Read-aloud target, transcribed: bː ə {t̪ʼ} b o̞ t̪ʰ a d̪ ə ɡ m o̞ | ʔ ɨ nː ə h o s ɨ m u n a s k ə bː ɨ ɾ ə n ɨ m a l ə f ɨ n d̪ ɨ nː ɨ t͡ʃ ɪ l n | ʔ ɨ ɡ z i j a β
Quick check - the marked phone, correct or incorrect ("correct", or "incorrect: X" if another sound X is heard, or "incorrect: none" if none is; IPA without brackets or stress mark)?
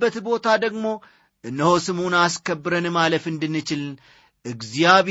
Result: incorrect: t̪